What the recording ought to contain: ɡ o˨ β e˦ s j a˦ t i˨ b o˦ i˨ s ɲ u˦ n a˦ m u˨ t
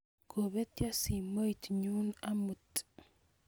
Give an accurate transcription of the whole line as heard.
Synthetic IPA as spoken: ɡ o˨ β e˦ t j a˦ s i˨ m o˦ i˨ t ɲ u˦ n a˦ m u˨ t